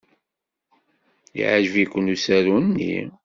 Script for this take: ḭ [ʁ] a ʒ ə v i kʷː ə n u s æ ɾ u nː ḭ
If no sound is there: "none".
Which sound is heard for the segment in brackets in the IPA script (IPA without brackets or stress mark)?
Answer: ʕ